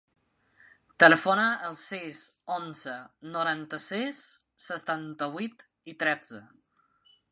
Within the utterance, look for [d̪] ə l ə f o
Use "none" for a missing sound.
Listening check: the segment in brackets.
t̪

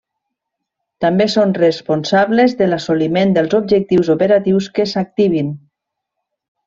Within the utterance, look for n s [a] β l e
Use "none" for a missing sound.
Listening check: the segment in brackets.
a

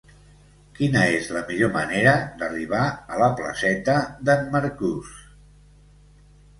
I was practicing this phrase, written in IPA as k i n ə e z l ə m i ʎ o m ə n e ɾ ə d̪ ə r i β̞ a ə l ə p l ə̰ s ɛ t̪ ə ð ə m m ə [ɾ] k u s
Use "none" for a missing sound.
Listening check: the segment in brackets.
ɾ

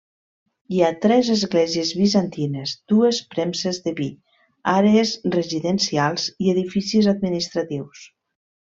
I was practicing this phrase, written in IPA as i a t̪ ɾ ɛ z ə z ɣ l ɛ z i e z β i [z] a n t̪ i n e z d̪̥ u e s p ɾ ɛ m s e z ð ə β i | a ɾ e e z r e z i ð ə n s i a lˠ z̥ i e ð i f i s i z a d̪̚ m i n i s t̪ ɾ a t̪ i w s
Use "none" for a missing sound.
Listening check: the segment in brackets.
z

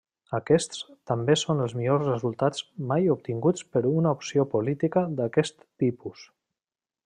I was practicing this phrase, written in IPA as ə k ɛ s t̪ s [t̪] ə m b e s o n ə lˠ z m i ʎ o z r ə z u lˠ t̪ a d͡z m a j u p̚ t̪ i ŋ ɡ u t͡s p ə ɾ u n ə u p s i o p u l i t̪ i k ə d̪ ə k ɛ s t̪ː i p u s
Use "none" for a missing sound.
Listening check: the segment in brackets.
t̪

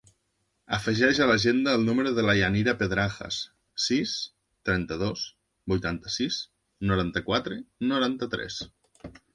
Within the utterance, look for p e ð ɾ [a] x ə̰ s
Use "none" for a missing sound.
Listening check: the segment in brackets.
a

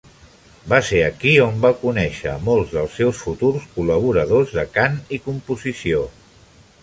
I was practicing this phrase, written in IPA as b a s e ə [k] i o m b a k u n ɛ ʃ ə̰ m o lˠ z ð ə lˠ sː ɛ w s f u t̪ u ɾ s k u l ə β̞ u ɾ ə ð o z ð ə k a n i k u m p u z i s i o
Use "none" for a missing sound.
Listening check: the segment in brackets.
k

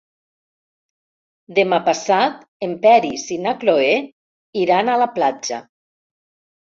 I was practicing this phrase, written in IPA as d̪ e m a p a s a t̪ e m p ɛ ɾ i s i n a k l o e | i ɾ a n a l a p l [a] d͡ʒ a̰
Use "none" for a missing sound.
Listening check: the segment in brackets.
a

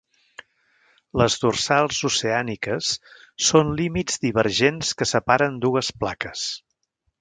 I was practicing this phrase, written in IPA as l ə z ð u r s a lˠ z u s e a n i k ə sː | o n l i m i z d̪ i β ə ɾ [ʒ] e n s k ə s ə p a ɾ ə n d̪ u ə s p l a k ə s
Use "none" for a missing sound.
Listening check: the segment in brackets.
ʒ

